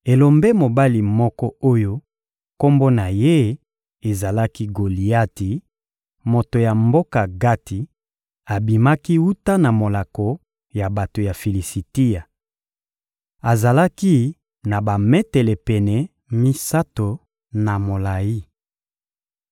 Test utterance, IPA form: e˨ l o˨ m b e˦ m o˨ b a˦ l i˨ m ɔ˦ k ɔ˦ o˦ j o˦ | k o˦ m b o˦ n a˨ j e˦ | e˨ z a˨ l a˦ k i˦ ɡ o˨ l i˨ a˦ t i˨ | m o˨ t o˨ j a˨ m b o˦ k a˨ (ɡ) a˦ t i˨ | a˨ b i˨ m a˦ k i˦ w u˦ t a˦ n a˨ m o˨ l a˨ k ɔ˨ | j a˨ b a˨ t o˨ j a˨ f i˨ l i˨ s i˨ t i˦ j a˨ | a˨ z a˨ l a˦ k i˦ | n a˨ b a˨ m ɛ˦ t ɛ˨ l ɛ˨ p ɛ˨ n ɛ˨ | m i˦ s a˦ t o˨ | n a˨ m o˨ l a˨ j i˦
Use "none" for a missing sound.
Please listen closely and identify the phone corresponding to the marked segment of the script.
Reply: ɡ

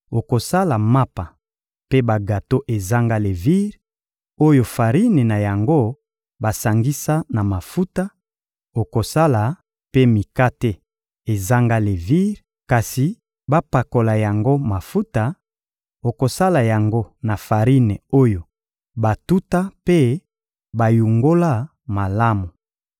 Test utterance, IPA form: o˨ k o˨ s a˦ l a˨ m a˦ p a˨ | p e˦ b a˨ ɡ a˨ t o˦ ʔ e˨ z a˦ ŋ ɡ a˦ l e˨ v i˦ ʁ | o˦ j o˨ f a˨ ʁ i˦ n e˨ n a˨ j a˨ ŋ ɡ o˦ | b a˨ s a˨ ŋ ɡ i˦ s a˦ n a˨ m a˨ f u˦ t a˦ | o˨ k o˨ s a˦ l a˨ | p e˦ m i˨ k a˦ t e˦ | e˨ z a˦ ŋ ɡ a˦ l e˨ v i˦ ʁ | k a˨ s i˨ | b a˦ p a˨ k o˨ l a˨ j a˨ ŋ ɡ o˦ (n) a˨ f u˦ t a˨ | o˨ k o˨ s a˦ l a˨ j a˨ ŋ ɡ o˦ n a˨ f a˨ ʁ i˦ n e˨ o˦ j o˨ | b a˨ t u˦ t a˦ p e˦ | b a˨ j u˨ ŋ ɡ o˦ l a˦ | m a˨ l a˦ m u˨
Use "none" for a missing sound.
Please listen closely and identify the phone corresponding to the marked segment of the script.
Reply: m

